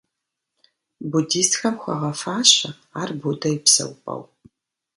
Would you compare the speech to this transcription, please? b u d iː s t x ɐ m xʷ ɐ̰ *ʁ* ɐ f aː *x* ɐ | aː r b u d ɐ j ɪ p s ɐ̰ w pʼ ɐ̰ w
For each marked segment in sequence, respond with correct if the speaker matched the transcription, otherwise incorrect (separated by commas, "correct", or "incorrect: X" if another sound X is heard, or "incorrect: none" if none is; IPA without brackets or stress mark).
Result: correct, incorrect: ɕ